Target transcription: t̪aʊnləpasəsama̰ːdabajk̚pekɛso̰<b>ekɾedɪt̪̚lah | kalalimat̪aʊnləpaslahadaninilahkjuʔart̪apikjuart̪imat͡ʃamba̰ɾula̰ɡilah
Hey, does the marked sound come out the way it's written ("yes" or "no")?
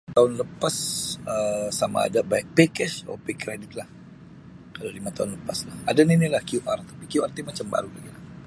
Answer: no